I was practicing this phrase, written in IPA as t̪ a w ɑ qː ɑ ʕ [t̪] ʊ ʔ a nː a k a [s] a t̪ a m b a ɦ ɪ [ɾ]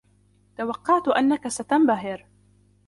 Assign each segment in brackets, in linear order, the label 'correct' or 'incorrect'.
correct, correct, correct

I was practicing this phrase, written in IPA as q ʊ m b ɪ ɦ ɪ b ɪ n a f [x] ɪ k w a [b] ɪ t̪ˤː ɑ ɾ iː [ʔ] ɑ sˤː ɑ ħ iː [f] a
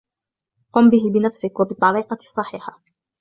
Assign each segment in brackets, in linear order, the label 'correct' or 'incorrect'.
incorrect, correct, incorrect, incorrect

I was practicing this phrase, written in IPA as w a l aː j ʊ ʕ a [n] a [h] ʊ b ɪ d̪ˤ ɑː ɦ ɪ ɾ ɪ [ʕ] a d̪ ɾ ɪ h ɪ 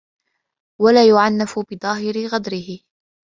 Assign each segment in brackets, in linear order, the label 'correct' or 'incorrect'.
incorrect, incorrect, incorrect

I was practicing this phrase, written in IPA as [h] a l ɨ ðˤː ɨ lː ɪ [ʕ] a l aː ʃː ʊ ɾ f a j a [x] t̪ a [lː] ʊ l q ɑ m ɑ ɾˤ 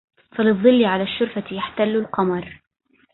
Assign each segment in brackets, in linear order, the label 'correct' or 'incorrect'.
incorrect, correct, incorrect, correct

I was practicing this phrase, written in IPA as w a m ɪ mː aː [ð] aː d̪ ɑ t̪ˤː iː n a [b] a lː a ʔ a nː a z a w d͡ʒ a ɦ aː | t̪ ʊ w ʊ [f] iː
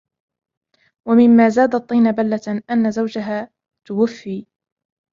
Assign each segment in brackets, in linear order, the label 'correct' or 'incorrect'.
incorrect, correct, incorrect

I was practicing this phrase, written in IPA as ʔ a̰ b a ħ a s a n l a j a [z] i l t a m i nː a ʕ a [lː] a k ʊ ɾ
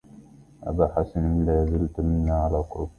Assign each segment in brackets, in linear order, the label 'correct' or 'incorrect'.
correct, incorrect

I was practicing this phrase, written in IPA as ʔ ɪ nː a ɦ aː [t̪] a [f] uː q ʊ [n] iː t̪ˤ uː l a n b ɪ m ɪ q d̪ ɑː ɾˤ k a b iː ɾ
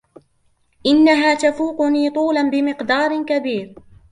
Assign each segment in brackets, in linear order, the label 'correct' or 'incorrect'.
correct, correct, correct

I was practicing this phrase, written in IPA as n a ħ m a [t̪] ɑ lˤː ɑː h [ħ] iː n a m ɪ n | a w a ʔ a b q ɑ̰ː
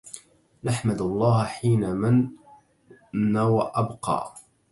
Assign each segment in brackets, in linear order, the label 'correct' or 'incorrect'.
incorrect, correct

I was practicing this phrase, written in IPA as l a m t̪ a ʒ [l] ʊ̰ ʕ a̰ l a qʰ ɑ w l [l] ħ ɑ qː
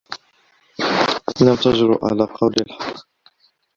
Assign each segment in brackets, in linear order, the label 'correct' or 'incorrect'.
incorrect, correct

